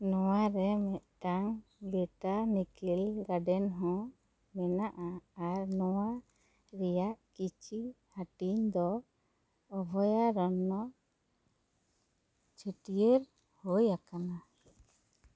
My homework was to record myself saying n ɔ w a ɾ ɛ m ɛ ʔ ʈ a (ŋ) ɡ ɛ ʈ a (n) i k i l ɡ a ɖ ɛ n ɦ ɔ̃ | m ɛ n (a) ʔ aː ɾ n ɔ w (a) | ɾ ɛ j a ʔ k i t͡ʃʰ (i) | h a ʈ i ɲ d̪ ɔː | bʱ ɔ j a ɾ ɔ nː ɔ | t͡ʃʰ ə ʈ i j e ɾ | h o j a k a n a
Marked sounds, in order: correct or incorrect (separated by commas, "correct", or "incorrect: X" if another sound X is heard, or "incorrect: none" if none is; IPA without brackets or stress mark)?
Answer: correct, correct, correct, correct, correct